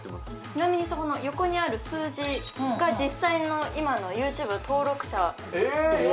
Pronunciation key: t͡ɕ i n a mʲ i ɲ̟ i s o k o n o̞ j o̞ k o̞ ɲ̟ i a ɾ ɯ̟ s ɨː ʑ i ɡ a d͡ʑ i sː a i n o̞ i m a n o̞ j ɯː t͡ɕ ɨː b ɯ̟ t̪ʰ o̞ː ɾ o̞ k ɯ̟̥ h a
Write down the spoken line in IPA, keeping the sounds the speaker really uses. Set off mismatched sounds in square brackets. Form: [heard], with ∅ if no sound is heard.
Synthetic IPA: t͡ɕ i n a mʲ i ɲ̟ i s o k o n o̞ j o̞ k o̞ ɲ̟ i a ɾ ɯ̟ s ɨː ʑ i ɡ a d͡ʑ i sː a i n o̞ i m a n o̞ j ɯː t͡ɕ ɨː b ɯ̟ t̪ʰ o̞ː ɾ o̞ k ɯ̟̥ [ɕ] a